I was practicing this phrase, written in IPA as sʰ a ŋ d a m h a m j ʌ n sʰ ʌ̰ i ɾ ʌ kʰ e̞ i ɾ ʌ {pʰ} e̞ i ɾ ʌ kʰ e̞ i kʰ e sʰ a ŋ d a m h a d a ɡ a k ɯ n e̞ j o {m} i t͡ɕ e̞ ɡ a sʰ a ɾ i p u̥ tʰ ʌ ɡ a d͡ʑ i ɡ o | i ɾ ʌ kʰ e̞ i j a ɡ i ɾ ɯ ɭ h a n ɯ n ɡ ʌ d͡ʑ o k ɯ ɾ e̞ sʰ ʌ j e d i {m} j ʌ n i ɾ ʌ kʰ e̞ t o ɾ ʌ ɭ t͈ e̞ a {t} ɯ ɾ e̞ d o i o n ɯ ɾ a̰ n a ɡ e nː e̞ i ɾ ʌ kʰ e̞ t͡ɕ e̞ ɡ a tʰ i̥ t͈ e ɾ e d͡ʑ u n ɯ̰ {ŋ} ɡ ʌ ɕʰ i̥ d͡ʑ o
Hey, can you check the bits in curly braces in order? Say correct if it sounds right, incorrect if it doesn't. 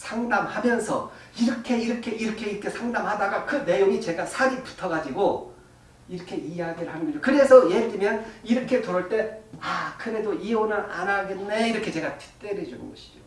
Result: incorrect: kʰ, incorrect: ŋ, correct, incorrect: k, incorrect: n

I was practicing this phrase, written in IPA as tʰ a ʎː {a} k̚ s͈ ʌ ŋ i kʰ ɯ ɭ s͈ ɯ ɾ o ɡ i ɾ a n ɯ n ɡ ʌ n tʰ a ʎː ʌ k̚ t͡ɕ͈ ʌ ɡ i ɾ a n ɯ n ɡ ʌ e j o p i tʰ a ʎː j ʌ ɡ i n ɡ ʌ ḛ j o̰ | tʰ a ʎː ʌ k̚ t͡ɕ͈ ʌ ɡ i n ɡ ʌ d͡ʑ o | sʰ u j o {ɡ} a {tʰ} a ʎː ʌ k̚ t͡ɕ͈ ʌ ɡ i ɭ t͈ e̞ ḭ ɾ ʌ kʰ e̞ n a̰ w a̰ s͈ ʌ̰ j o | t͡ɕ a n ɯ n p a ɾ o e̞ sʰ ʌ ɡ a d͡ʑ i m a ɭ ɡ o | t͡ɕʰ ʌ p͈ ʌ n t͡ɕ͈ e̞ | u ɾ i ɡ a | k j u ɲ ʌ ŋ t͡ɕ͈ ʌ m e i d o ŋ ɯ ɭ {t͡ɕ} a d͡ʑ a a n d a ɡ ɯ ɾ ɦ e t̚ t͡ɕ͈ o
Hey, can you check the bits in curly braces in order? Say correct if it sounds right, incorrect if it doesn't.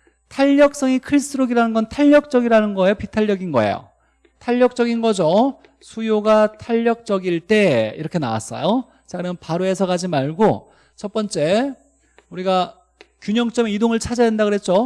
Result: incorrect: ʌ, correct, correct, incorrect: t͡ɕʰ

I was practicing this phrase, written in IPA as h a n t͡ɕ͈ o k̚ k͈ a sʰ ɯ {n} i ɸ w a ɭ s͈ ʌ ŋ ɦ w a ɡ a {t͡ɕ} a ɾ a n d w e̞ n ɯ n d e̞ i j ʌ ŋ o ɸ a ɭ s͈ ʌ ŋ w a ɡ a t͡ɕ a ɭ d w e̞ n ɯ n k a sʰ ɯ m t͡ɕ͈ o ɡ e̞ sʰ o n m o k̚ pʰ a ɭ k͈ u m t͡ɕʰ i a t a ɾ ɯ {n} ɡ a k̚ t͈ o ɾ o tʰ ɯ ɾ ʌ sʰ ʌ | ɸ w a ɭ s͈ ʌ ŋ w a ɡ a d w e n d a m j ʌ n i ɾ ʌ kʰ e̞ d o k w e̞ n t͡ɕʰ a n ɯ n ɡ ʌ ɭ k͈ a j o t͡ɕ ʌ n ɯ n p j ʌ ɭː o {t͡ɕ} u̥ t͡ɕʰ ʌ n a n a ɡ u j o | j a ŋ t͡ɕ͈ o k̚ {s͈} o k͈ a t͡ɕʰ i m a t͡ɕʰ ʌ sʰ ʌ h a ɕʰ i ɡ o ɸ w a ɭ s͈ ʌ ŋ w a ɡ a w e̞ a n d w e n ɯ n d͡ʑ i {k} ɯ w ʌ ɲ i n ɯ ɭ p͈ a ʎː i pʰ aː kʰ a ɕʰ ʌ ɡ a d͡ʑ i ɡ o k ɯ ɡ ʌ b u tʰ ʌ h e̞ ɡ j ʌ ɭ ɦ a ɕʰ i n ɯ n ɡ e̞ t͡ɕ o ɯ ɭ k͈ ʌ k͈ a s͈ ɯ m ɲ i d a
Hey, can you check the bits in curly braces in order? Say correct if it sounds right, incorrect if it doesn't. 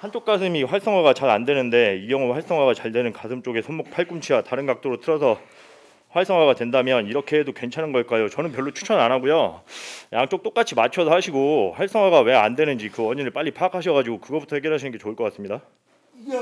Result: incorrect: m, correct, correct, incorrect: t͡ɕʰ, incorrect: t͈, correct

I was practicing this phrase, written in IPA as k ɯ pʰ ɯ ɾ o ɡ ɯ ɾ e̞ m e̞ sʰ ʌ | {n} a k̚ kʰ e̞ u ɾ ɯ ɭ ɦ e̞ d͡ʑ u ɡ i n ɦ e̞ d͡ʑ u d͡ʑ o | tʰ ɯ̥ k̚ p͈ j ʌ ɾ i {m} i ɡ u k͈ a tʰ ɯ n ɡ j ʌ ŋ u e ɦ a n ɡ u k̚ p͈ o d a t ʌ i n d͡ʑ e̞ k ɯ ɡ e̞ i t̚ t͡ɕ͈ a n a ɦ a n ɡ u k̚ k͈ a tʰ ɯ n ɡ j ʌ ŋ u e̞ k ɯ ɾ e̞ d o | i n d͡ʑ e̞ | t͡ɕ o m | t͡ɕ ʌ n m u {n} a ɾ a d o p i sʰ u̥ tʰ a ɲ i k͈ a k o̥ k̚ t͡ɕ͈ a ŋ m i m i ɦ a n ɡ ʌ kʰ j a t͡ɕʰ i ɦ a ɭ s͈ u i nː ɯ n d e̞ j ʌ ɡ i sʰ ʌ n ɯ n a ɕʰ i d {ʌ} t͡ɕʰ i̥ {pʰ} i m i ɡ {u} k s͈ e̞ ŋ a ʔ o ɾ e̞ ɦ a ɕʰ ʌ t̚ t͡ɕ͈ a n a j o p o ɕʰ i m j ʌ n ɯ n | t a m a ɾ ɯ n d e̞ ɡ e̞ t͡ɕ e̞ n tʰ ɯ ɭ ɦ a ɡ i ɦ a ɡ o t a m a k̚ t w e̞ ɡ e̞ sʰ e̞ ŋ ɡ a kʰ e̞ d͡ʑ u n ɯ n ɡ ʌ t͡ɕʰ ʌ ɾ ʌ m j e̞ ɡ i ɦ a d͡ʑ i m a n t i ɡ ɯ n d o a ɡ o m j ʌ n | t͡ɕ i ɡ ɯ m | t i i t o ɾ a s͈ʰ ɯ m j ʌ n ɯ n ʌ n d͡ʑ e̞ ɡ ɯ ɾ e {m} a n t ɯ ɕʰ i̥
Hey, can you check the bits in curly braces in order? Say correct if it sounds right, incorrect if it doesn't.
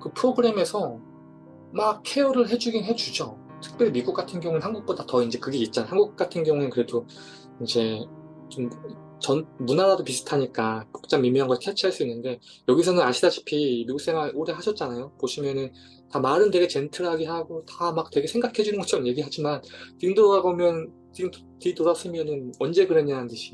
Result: incorrect: m, correct, correct, incorrect: a, correct, correct, incorrect: ɲ

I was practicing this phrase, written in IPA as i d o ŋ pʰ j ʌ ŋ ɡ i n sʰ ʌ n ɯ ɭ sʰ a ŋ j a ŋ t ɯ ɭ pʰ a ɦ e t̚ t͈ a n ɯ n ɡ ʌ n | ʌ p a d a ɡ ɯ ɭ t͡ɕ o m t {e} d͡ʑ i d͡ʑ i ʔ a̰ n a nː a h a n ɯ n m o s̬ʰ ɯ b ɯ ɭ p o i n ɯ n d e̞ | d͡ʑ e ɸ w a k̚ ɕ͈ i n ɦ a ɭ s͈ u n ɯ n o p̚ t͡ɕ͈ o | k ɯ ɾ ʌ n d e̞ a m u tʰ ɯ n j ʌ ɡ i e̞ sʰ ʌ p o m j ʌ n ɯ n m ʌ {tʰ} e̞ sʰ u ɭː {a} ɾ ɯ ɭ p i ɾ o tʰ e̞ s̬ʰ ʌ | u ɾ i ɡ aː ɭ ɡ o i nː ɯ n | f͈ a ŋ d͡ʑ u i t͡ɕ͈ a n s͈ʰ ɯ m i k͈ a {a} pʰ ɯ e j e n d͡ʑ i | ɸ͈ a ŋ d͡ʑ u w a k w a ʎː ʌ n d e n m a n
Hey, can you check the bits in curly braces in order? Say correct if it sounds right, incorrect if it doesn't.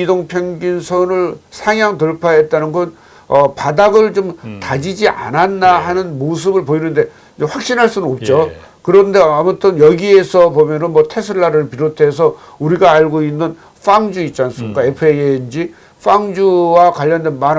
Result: incorrect: a, correct, correct, incorrect: e

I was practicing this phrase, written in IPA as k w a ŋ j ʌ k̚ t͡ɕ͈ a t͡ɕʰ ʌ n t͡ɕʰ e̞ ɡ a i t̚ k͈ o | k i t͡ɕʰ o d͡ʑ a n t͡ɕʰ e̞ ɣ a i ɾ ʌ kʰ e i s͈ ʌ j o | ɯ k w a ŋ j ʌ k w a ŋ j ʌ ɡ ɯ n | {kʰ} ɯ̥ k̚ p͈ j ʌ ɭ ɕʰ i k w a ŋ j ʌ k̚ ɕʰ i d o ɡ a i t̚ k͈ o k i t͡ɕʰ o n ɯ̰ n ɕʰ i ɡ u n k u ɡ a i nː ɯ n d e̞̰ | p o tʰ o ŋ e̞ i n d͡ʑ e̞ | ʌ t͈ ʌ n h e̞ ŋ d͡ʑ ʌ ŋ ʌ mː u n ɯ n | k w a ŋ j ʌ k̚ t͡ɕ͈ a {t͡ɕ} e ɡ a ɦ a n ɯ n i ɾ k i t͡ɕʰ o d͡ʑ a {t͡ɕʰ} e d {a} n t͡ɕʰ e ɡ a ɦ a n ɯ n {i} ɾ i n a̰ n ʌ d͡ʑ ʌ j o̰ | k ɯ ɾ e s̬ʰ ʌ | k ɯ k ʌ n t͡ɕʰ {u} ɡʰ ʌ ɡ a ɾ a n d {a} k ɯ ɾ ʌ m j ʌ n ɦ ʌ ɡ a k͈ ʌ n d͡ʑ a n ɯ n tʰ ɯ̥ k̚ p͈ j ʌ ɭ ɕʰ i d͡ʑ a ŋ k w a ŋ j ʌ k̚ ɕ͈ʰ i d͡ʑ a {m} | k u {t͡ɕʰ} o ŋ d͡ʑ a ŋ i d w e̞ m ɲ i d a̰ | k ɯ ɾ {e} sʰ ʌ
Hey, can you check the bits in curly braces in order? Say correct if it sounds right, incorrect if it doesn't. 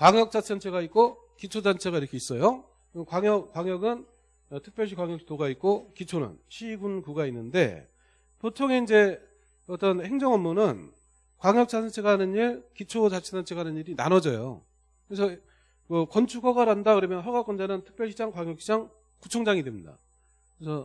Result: incorrect: tʰ, incorrect: t͡ɕʰ, correct, correct, correct, correct, correct, incorrect: ŋ, correct, correct

